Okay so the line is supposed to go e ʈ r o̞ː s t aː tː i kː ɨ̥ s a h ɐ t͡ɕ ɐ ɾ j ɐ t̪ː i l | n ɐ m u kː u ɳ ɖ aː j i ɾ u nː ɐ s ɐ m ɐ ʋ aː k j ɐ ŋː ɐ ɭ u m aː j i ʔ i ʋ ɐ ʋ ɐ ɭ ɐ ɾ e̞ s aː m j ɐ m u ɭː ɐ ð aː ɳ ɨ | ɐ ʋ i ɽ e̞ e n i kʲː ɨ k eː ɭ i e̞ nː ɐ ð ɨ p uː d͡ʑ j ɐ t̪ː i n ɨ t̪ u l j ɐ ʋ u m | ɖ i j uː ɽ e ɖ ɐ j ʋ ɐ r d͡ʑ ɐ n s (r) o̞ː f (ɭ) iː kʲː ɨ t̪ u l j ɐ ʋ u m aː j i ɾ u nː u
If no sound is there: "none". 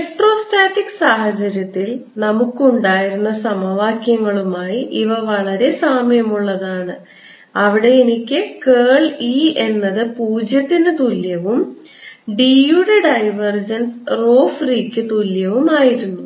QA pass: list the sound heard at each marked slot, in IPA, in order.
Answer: r, r

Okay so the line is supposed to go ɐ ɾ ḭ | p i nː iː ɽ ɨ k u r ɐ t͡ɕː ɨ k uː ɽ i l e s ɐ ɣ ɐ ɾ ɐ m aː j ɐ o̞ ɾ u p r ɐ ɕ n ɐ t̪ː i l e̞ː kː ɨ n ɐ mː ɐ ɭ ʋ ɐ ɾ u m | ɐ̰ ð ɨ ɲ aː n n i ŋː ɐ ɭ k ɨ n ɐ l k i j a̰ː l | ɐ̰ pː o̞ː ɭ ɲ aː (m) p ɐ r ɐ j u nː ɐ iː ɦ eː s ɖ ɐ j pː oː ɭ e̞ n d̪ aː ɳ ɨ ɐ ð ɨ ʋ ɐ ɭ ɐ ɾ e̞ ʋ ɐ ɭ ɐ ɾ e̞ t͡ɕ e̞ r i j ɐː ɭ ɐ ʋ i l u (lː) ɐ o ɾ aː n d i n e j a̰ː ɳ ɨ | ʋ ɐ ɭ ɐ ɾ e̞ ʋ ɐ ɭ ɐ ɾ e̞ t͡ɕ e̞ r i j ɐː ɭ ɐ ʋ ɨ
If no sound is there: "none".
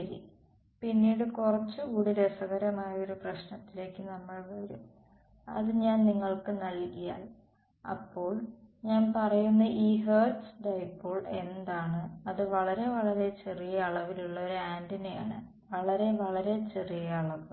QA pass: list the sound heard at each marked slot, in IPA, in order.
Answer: n, ɭː

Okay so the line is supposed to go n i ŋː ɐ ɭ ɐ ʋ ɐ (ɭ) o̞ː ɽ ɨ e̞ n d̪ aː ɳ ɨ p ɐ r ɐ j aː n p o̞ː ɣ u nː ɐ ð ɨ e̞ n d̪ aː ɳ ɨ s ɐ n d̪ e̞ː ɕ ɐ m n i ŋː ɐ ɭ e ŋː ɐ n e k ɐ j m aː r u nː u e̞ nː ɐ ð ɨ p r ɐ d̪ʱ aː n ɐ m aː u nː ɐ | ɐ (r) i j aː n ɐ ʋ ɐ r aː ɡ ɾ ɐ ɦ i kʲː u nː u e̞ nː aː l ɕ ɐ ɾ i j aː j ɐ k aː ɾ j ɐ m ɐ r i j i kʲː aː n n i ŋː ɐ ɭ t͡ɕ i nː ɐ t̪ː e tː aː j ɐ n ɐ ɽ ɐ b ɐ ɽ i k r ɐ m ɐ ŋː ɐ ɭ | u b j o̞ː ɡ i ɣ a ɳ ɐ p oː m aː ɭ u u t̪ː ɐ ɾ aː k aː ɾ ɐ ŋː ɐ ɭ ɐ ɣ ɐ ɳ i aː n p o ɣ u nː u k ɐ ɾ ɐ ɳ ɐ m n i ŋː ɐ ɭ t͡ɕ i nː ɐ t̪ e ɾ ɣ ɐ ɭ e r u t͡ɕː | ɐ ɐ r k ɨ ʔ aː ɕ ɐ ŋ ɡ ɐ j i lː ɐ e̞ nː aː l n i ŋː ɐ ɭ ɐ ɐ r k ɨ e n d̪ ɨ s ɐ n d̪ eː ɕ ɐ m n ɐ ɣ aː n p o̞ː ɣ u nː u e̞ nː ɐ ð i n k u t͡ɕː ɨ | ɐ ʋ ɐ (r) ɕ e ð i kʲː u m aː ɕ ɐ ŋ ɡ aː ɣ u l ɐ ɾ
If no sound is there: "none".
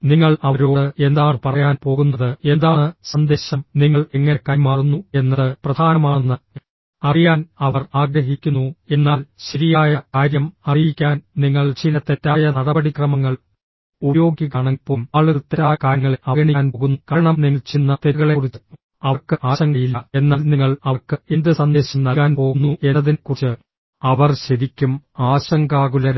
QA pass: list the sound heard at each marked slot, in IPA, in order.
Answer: ɾ, r, r

